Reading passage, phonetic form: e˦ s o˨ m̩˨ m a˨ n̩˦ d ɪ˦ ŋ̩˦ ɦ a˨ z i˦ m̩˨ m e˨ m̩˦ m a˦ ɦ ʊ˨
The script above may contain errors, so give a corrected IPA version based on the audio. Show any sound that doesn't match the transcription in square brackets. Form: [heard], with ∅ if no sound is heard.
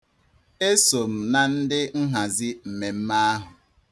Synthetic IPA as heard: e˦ s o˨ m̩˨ [n] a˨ n̩˦ d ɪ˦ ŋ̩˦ ɦ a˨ z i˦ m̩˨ m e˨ m̩˦ m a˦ ɦ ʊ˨

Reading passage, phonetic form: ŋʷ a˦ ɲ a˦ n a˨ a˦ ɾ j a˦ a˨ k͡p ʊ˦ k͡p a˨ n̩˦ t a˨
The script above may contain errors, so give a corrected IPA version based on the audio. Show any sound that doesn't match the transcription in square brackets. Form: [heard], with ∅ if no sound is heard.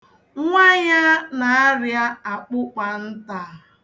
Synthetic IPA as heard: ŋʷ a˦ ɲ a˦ n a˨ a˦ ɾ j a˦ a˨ k͡p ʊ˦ k͡p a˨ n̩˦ t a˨

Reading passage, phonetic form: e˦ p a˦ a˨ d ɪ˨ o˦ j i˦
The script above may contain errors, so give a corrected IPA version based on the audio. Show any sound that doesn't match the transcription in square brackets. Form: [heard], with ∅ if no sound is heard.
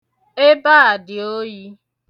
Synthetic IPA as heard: e˦ [b] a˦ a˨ d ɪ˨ o˦ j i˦

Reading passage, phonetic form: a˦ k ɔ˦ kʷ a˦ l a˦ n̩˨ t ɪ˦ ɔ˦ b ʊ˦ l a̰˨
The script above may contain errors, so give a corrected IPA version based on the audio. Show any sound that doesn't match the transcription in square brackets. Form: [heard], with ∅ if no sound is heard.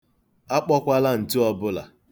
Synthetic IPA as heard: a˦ [k͡p] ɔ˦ kʷ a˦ l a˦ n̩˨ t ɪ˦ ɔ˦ b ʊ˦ l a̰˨

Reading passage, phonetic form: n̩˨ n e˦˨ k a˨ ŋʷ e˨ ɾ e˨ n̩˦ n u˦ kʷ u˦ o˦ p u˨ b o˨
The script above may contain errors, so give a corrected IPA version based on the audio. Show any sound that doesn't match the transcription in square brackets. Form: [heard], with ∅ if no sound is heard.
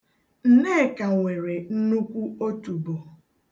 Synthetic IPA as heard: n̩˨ n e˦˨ k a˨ ŋʷ e˨ ɾ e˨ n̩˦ n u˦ kʷ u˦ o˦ [t] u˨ b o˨

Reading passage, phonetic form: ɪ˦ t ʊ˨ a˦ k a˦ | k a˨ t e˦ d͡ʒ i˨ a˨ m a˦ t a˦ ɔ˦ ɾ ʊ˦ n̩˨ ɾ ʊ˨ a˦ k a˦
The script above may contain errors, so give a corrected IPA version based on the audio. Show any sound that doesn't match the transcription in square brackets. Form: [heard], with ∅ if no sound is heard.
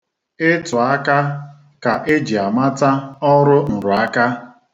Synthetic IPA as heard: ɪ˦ t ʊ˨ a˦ k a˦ | k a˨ [ʔ] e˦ d͡ʒ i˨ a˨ m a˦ t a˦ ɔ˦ ɾ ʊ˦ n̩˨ ɾ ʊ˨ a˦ k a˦

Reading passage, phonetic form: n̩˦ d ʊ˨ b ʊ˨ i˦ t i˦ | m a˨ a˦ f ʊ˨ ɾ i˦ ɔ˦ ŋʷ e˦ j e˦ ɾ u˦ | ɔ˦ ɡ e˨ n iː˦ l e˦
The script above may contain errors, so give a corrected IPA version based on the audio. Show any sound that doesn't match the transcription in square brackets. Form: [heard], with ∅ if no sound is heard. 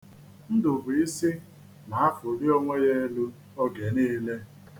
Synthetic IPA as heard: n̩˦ d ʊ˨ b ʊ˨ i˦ [s] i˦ | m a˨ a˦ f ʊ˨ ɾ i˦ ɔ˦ ŋʷ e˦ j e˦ [l] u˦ | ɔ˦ ɡ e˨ n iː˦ l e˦

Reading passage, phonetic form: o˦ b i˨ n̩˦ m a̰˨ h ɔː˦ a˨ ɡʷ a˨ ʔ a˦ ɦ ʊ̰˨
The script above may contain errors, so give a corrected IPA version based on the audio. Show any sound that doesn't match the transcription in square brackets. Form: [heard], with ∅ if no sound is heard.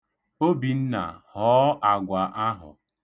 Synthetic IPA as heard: o˦ b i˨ n̩˦ [n] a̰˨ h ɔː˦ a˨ ɡʷ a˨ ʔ a˦ ɦ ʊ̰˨

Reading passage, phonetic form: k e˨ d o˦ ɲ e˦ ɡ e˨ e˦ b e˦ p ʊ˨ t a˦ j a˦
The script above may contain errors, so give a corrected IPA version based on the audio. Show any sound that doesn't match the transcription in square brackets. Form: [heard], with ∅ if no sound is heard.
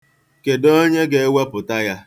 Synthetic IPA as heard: k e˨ d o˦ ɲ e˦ ɡ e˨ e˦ [w] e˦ p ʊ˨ t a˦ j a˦

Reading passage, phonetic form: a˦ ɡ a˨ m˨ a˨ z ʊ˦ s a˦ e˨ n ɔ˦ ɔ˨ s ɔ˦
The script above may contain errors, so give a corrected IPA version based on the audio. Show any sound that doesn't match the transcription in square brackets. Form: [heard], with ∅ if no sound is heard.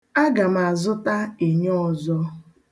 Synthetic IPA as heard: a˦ ɡ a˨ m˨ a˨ z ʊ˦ [t] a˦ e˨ [ɲ] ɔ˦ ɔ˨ [z] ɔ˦

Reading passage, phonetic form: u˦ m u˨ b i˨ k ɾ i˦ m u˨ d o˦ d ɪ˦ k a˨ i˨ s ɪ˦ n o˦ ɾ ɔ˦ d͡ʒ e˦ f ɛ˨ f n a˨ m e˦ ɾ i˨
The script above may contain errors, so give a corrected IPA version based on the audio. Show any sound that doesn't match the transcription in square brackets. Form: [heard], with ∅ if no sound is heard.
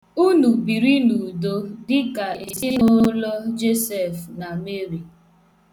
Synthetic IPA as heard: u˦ [n] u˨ b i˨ [∅] ɾ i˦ [n] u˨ d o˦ d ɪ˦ k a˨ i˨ s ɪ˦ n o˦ [l] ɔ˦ d͡ʒ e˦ [s] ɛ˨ f n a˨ m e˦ ɾ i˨

